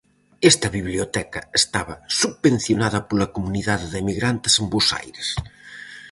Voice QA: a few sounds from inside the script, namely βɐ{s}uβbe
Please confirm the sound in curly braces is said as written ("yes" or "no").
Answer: yes